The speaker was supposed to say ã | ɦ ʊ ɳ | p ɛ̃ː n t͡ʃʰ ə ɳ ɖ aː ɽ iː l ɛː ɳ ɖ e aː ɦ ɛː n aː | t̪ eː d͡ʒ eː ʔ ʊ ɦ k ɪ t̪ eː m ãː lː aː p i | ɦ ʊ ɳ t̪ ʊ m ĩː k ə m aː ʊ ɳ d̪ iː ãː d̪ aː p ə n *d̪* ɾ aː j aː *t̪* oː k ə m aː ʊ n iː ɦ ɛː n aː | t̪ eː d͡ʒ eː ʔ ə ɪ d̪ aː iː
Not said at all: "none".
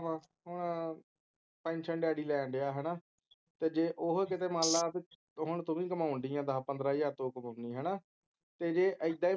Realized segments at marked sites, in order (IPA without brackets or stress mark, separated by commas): d̪, t̪